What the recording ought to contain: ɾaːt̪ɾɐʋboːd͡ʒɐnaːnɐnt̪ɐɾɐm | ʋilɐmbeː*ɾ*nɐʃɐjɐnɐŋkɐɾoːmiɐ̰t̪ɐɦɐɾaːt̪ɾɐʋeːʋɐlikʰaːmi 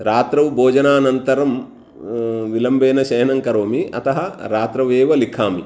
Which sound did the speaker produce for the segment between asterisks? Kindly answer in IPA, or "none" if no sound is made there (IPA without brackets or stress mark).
none